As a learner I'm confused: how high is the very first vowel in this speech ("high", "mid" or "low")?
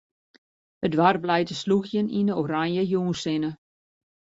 mid